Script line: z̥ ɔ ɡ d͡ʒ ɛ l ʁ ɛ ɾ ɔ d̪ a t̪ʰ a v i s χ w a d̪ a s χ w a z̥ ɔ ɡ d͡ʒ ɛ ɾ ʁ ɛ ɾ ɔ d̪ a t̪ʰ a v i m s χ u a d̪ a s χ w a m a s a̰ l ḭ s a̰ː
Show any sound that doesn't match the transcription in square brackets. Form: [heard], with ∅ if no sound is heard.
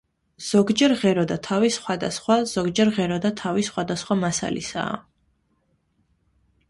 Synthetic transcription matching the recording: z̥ ɔ ɡ d͡ʒ ɛ [ɾ] ʁ ɛ ɾ ɔ d̪ a t̪ʰ a v i s χ w a d̪ a s χ w a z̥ ɔ ɡ d͡ʒ ɛ ɾ ʁ ɛ ɾ ɔ d̪ a t̪ʰ a v i [∅] s χ [w] a d̪ a s χ w a m a s a̰ l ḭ s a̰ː